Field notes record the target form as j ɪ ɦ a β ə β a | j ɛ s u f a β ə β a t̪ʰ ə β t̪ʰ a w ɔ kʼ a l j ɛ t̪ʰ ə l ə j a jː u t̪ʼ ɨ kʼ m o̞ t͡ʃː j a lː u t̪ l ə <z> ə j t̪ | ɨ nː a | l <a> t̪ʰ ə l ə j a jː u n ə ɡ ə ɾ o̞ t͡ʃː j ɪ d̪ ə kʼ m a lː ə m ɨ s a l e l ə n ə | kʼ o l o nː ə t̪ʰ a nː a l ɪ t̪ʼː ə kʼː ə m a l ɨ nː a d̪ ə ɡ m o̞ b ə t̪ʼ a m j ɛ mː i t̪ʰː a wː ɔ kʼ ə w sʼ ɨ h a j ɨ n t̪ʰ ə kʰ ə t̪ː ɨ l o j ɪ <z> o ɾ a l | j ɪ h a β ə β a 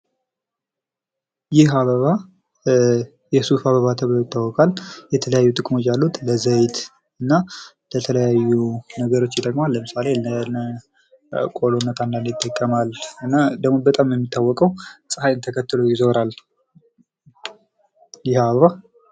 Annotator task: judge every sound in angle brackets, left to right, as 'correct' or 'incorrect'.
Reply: correct, incorrect, correct

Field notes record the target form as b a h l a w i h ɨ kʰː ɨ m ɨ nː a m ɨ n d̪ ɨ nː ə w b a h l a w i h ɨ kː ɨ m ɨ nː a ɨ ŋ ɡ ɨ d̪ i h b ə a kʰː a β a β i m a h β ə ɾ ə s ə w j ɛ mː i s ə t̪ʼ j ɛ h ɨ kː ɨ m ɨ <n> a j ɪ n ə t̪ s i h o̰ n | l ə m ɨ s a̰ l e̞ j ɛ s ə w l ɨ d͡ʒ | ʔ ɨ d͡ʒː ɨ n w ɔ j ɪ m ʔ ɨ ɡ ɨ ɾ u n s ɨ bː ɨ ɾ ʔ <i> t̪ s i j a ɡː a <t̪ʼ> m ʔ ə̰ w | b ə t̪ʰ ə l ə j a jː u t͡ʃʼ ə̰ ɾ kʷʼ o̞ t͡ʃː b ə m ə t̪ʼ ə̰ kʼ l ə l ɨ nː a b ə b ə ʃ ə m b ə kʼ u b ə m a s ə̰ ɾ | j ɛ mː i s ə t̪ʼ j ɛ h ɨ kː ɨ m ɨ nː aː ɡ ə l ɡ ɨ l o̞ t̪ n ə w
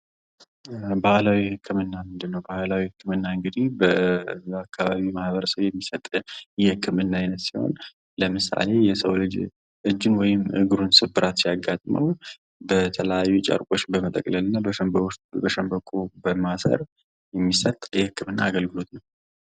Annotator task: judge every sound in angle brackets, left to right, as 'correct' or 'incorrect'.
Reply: incorrect, incorrect, correct

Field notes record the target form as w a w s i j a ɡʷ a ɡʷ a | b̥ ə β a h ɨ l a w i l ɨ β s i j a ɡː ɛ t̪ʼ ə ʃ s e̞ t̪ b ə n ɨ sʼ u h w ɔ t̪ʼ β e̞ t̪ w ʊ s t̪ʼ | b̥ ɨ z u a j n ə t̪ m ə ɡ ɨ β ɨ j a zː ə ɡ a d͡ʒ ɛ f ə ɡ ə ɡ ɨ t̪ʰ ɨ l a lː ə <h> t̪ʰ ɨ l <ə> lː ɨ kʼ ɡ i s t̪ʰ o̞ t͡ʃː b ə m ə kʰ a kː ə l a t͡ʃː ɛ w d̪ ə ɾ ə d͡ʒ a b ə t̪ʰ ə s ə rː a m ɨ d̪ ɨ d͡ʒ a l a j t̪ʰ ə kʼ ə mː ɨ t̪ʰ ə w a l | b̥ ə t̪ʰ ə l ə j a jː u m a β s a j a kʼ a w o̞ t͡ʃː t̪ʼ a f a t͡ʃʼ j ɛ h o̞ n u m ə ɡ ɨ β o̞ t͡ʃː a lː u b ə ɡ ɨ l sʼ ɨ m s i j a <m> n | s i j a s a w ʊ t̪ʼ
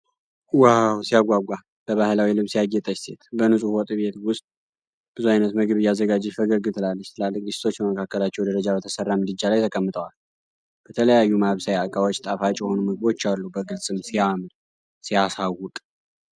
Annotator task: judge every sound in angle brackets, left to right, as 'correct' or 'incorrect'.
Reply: incorrect, incorrect, correct

